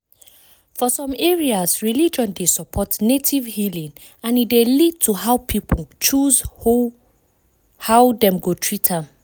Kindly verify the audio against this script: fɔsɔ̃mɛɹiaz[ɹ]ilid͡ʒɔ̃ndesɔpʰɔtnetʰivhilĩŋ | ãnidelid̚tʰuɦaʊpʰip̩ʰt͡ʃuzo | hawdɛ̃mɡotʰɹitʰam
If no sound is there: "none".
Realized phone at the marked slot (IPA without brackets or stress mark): ɹ